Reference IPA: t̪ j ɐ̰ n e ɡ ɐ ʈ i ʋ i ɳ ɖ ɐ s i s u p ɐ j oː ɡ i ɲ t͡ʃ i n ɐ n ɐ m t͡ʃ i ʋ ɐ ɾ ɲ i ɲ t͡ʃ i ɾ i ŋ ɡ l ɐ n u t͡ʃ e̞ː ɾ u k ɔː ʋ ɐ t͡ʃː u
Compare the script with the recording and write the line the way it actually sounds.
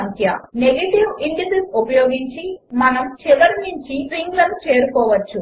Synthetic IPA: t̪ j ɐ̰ n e ɡ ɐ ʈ i ʋ i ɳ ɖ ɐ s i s u p ɐ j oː ɡ i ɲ t͡ʃ i m ɐ n ɐ m t͡ʃ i ʋ ɐ ɾ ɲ i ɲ t͡ʃ i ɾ i ŋ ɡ l ɐ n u t͡ʃ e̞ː ɾ u k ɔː ʋ ɐ t͡ʃː u